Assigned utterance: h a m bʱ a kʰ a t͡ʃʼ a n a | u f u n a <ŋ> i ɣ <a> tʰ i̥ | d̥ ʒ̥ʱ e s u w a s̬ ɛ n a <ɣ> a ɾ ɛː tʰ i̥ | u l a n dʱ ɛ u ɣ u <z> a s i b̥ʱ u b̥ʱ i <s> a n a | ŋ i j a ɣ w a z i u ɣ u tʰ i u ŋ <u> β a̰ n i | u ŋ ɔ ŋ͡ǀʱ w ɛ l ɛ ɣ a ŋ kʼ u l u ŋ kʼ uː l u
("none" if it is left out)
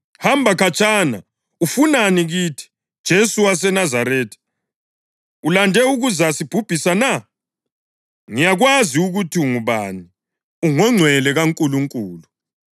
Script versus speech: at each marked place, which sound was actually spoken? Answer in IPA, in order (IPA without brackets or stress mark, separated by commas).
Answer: n, i, z, z, s, u